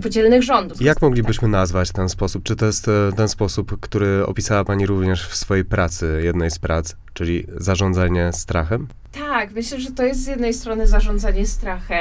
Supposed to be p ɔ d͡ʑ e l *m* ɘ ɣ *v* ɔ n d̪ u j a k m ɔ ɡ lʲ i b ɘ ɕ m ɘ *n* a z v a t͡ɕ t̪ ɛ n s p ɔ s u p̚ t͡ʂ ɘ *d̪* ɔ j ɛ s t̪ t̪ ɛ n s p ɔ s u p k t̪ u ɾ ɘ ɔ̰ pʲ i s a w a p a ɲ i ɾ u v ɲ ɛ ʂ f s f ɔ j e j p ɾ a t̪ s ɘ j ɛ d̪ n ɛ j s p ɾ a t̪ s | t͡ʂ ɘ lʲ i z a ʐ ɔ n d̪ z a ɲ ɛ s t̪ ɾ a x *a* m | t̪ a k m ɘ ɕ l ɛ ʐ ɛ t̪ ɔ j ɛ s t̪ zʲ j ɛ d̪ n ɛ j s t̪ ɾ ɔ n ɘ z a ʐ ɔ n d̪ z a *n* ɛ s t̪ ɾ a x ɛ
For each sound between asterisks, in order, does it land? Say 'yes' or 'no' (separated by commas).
no, no, yes, no, no, no